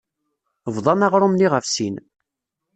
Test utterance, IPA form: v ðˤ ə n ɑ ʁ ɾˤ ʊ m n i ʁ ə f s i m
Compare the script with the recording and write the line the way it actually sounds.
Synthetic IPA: v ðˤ ɑ n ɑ ʁ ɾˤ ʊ m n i ʁ ə f s i n